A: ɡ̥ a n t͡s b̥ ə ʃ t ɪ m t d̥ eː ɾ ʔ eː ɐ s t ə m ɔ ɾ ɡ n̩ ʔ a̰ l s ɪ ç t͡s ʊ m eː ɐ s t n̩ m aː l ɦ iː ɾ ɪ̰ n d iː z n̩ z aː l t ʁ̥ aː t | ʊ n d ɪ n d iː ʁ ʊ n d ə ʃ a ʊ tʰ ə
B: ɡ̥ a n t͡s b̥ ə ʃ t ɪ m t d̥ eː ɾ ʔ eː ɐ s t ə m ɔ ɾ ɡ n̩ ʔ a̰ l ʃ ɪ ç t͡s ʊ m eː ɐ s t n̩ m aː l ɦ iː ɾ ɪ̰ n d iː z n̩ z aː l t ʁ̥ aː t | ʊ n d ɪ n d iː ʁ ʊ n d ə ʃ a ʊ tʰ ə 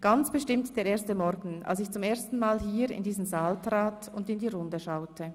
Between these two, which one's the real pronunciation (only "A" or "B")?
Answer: A